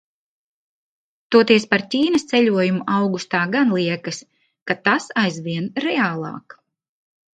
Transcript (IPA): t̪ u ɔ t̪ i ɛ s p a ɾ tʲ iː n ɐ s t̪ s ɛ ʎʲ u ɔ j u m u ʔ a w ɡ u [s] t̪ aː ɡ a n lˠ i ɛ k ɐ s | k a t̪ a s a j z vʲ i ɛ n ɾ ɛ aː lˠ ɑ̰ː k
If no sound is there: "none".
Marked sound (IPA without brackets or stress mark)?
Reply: s